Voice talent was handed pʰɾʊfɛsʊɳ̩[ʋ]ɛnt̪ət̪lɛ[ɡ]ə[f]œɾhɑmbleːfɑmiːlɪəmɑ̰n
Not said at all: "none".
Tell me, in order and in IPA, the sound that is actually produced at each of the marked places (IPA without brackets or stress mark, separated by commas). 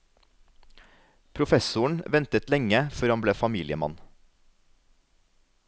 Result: ʋ, ŋ, f